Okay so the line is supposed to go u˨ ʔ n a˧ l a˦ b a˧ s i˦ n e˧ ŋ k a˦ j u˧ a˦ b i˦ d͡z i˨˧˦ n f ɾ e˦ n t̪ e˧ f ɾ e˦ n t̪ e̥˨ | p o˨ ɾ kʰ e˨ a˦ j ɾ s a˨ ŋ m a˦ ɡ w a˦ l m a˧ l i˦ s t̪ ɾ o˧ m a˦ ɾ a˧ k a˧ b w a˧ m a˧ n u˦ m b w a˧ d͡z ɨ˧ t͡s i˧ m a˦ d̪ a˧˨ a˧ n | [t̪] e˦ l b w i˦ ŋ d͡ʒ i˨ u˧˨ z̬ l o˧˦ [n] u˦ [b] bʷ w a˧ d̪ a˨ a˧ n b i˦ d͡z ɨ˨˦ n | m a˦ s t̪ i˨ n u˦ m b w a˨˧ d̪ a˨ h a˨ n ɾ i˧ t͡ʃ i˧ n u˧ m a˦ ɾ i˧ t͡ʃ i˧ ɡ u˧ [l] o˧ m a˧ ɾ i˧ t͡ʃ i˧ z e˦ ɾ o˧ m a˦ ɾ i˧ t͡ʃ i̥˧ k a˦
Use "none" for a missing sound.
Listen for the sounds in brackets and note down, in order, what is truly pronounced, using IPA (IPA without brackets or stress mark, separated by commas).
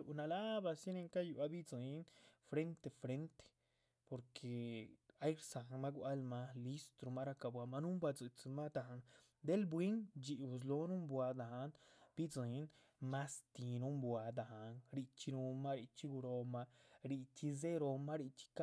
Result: d̪, n, m, ɾ